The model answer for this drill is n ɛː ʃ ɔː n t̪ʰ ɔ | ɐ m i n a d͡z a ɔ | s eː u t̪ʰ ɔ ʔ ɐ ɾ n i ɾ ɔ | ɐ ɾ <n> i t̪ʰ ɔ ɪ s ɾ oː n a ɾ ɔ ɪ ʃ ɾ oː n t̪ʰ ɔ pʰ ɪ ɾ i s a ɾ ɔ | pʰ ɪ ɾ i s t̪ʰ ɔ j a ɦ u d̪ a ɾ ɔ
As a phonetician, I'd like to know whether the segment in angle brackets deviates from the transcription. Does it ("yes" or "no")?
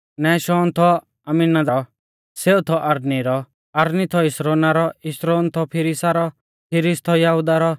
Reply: no